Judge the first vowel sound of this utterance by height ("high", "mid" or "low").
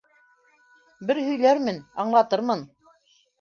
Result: mid